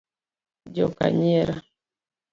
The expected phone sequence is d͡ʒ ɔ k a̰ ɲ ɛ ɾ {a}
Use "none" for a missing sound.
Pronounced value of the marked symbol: a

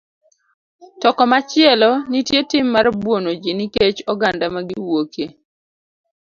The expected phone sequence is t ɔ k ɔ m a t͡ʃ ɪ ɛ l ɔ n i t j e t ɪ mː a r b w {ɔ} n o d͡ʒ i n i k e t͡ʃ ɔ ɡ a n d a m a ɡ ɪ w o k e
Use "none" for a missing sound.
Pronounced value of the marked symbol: o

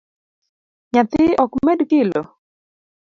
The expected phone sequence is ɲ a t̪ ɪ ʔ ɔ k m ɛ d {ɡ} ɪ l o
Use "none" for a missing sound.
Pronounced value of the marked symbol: k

